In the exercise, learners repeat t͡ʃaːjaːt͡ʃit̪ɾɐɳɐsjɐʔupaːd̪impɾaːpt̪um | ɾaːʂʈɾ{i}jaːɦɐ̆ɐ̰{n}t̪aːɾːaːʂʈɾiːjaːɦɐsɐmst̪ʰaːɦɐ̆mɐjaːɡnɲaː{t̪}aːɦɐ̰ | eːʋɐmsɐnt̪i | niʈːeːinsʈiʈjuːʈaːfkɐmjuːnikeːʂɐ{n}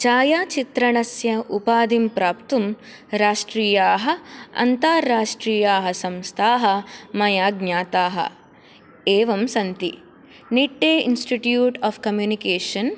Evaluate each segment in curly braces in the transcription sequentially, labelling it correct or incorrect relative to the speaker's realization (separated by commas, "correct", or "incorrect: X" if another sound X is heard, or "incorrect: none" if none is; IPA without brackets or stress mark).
incorrect: iː, correct, correct, correct